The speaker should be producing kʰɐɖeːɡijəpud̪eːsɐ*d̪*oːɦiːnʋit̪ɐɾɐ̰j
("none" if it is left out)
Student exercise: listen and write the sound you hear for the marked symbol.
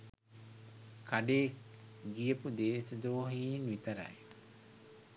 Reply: d̪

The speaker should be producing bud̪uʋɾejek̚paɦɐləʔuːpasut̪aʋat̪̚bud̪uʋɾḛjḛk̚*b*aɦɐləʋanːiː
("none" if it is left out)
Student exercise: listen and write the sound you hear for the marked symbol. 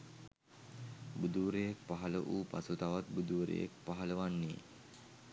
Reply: p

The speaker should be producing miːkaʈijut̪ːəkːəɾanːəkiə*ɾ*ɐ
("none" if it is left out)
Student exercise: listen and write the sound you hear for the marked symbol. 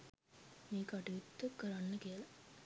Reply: l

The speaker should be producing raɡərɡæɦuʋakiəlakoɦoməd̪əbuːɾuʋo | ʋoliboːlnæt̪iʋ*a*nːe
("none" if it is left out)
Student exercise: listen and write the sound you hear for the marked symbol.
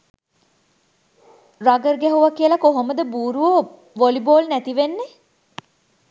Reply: e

